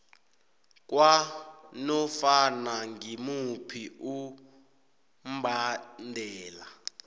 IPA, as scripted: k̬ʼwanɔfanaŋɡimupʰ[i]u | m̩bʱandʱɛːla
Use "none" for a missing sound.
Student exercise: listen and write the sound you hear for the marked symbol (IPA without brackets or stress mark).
i